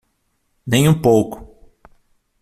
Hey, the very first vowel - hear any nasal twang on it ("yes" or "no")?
yes